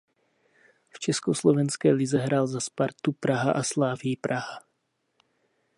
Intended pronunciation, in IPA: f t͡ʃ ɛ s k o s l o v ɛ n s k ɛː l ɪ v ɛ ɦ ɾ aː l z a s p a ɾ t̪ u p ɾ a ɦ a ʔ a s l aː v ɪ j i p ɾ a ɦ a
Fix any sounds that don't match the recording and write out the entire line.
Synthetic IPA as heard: f t͡ʃ ɛ s k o s l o v ɛ n s k ɛː l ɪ z ɛ ɦ ɾ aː l z a s p a ɾ t̪ u p ɾ a ɦ a ʔ a s l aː v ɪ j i p ɾ a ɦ a